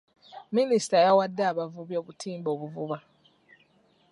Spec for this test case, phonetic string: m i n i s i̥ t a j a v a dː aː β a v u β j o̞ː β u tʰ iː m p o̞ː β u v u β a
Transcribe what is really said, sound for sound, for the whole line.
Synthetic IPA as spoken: m i n i s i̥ t a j a w a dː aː β a v u β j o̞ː β u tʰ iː m b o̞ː β u v u β a